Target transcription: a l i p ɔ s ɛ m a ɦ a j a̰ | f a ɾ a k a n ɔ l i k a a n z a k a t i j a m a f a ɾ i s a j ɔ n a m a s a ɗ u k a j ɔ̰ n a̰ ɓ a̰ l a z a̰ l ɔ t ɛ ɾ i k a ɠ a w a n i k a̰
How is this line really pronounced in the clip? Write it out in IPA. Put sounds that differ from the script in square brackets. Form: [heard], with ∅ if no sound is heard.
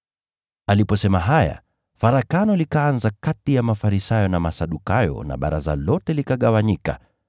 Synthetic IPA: a l i p ɔ s ɛ m a ɦ a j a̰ | f a ɾ a k a n ɔ l i k a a n z a k a t i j a m a f a ɾ i s a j ɔ n a m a s a ɗ u k a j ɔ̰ n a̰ ɓ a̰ [ɾ] a z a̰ l ɔ t ɛ [l] i k a ɠ a w a [ɲ] i k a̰